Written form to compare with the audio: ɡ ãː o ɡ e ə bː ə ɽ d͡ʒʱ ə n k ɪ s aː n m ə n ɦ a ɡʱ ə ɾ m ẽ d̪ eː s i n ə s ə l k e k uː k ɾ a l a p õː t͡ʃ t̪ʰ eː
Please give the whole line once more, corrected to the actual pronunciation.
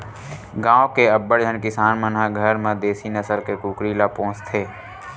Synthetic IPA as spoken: ɡ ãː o k e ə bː ə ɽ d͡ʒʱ ə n k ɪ s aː n m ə n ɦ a ɡʱ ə ɾ m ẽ d̪ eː s i n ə s ə l k e k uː k ɾ i l a p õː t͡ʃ t̪ʰ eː